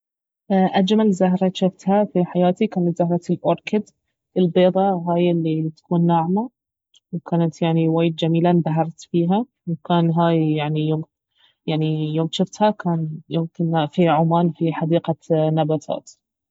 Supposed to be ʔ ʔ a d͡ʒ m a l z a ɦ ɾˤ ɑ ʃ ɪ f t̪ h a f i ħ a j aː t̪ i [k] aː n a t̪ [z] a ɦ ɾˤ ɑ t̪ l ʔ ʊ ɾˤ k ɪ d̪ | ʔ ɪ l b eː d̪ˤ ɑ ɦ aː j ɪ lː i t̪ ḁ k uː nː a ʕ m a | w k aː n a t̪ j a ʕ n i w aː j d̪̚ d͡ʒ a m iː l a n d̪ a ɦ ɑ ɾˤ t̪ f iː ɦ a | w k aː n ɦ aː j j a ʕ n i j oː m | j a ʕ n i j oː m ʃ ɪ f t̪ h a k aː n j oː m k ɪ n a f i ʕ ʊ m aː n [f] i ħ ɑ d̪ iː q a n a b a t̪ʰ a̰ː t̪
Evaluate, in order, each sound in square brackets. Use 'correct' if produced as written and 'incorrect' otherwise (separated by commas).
correct, correct, correct